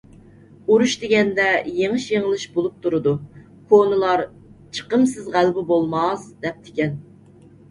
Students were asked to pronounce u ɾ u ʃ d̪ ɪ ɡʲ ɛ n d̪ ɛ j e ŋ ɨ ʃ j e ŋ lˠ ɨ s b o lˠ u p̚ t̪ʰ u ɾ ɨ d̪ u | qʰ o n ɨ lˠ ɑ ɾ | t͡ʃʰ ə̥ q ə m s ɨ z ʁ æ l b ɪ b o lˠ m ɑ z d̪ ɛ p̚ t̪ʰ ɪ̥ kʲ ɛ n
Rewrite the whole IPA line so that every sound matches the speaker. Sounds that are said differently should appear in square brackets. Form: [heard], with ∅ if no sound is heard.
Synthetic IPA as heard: u ɾ u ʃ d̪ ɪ ɡʲ ɛ n d̪ ɛ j e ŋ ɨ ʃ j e ŋ lˠ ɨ [ʃ] b o lˠ u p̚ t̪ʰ u ɾ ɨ d̪ u | [kʰ] o n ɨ lˠ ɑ ɾ | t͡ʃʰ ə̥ q ə m s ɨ z ʁ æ l b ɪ b o lˠ m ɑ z d̪ ɛ p̚ t̪ʰ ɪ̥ kʲ ɛ n